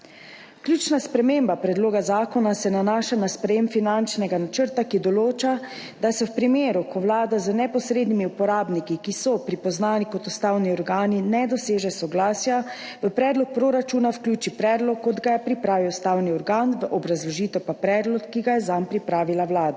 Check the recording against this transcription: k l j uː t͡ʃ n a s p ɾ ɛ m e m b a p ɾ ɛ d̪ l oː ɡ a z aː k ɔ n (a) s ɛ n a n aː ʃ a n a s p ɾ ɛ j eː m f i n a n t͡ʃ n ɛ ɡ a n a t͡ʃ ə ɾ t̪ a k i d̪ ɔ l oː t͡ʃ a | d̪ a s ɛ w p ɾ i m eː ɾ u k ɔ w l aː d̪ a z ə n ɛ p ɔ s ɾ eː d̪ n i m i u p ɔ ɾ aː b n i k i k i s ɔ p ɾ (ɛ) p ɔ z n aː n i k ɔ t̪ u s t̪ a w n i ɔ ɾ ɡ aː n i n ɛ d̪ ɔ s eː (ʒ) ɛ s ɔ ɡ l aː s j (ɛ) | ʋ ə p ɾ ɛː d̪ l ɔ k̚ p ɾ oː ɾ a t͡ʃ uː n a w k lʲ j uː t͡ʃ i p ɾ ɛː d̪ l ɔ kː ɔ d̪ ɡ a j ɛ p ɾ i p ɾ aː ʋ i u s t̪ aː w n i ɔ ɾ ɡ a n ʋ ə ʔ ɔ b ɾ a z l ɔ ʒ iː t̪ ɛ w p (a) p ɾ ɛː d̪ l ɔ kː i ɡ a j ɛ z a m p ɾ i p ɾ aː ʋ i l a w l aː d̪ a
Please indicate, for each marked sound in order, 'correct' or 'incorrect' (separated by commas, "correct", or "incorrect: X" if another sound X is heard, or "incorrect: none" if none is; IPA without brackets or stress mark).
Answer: correct, incorrect: i, correct, incorrect: a, correct